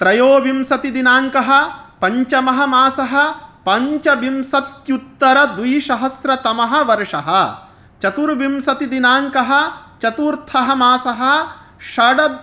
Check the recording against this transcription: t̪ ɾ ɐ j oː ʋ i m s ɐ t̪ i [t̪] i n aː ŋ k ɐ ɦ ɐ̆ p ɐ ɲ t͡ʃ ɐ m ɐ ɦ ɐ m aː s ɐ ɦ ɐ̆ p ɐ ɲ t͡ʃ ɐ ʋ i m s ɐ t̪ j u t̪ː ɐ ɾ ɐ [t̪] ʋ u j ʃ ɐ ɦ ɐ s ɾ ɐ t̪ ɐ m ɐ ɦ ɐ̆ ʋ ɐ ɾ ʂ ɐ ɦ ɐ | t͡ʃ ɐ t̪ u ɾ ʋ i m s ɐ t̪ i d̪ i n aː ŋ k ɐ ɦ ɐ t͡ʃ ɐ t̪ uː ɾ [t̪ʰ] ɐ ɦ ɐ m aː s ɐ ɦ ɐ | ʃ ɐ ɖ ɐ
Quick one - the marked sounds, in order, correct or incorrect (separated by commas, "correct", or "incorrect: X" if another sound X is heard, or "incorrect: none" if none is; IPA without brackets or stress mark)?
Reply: incorrect: d̪, incorrect: d̪, correct